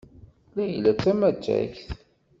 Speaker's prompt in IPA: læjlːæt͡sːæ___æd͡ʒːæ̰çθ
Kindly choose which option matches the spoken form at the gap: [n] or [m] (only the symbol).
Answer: m